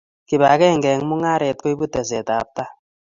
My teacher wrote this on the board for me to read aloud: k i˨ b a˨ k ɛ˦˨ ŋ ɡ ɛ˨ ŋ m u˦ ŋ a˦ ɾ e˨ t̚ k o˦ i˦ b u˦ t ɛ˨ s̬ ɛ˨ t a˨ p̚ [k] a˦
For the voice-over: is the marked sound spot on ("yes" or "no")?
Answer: no